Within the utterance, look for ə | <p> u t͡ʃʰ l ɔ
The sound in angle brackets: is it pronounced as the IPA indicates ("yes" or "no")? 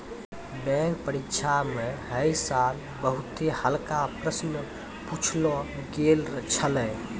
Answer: yes